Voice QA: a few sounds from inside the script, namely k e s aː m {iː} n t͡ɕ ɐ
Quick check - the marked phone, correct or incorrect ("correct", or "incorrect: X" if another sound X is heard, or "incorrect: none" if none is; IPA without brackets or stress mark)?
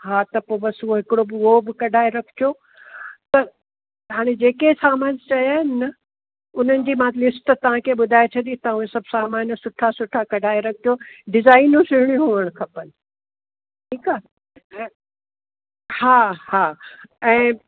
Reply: incorrect: aː